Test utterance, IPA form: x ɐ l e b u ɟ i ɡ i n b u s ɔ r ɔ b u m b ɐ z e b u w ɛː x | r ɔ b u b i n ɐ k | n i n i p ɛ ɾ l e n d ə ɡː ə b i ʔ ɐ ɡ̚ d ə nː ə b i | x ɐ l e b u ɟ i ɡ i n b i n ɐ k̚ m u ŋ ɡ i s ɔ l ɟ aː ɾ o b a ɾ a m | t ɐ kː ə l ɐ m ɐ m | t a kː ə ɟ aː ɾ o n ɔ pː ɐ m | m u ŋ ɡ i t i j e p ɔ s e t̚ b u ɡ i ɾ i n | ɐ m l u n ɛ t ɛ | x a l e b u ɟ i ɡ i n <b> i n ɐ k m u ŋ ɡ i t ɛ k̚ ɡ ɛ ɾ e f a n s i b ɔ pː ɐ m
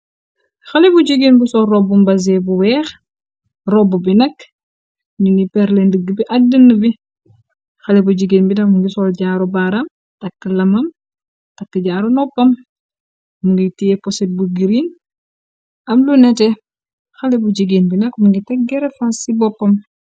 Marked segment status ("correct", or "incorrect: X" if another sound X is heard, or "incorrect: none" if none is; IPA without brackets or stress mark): correct